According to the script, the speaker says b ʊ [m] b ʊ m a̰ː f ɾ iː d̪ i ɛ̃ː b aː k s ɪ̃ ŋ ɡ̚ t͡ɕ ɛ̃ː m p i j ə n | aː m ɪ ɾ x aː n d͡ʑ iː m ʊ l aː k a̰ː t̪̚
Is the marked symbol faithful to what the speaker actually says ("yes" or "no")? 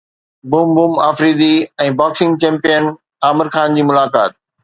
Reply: yes